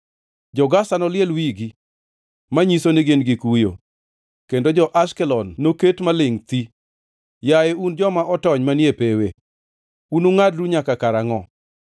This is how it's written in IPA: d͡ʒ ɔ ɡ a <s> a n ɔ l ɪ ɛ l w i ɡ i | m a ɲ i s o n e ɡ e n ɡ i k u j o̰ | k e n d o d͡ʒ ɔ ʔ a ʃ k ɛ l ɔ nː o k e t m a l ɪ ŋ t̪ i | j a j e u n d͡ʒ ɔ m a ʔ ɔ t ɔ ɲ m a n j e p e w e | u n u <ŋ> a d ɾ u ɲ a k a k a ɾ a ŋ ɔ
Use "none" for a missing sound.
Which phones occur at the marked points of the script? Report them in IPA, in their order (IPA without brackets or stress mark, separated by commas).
s, ŋ